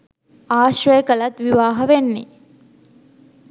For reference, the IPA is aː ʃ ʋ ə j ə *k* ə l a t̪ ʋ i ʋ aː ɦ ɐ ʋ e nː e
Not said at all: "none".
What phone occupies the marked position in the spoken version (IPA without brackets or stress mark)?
k